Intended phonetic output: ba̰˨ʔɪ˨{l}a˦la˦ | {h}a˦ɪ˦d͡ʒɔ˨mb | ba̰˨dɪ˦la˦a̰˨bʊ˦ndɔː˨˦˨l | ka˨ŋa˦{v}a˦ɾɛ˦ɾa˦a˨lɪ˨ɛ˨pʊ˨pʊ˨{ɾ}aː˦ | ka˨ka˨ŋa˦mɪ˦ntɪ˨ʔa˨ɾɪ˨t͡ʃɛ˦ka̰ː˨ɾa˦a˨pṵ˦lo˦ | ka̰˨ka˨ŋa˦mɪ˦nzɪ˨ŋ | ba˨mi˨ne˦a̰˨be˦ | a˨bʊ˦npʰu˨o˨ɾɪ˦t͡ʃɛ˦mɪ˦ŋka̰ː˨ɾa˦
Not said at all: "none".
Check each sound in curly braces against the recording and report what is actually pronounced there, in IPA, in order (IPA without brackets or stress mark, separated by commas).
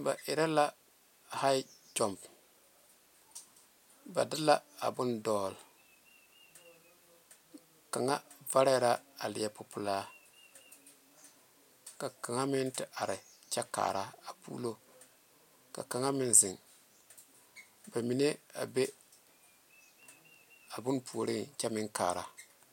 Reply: ɾ, h, v, l